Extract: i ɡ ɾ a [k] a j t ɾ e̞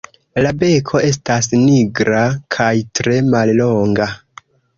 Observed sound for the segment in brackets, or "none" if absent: kʰ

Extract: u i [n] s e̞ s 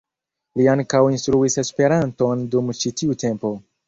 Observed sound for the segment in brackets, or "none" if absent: none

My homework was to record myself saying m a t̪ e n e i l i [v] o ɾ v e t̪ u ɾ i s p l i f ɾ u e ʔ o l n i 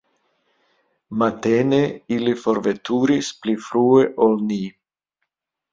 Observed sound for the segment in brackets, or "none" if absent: f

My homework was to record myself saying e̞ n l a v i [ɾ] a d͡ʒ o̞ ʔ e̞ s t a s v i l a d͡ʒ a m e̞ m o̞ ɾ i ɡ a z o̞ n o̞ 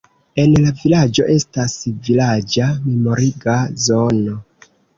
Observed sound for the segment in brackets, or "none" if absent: l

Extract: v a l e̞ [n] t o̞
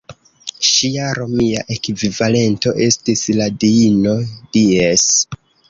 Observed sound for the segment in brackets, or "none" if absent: n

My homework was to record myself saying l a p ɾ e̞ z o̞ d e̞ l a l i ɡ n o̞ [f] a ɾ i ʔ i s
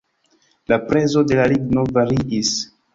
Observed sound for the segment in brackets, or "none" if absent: v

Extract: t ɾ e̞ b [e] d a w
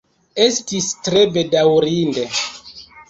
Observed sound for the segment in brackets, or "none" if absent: e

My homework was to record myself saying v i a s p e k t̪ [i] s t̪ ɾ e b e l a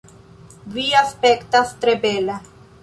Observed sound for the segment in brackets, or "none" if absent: a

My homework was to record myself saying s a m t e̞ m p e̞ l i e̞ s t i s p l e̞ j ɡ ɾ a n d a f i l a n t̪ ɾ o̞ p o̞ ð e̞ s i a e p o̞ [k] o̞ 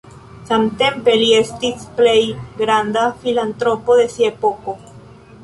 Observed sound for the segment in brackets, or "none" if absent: k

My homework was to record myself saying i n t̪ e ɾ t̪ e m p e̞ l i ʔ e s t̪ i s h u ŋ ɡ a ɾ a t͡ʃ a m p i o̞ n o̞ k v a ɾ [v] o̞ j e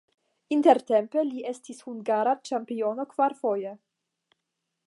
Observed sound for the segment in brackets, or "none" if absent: f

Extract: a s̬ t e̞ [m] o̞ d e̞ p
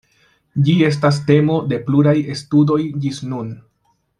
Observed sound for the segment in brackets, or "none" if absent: m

